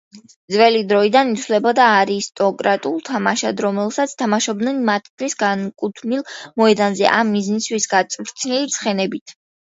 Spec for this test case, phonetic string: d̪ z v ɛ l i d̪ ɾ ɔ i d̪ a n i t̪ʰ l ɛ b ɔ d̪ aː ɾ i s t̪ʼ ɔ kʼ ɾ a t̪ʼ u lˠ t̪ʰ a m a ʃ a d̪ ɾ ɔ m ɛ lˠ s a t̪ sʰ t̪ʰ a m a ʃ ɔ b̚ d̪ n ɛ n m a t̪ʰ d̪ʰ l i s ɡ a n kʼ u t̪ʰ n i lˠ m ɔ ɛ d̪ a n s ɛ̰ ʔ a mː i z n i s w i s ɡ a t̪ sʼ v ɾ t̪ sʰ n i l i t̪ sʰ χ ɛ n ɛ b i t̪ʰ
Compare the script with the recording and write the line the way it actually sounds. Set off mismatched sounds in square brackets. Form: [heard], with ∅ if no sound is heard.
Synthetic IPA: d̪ z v ɛ l i d̪ ɾ ɔ i d̪ a n i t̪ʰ l ɛ b ɔ d̪ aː ɾ i s t̪ʼ ɔ kʼ ɾ a t̪ʼ u lˠ t̪ʰ a m a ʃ a d̪ ɾ ɔ m ɛ lˠ s a t̪ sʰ t̪ʰ a m a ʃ ɔ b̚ d̪ n ɛ n m a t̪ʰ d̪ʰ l i s ɡ a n kʼ u t̪ʰ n i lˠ m ɔ ɛ d̪ a n [z] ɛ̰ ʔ a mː i z n i s w i s ɡ a t̪ sʼ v ɾ t̪ sʰ n i l i t̪ sʰ χ ɛ n ɛ b i t̪ʰ